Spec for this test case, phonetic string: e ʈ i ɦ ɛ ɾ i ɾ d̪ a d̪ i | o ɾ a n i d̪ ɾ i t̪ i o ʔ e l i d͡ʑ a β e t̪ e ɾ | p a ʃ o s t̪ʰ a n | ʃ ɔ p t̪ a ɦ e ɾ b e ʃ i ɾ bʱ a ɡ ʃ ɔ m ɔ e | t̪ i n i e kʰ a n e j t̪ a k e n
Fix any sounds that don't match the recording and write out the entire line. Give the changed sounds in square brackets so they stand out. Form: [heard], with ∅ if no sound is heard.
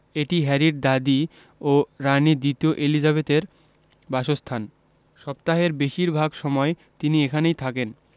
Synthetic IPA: e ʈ i ɦ ɛ ɾ i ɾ d̪ a d̪ i | o ɾ a n i d̪ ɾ i t̪ i o ʔ e l i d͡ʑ a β e t̪ e ɾ | [b] a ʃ o s t̪ʰ a n | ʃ ɔ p t̪ a ɦ e ɾ b e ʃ i ɾ bʱ a ɡ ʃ ɔ m ɔ e | t̪ i n i e kʰ a n e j [t̪ʰ] a k e n